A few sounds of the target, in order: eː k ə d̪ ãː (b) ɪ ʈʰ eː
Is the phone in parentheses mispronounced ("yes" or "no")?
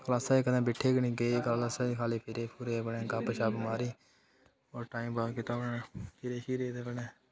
no